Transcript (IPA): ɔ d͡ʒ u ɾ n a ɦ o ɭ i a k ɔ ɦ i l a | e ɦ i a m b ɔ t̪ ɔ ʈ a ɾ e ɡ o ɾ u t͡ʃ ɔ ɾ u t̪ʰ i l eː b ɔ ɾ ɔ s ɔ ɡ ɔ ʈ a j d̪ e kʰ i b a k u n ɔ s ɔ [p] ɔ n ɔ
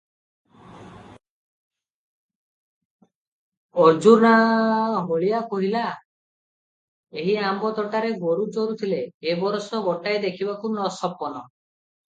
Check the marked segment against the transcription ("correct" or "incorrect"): correct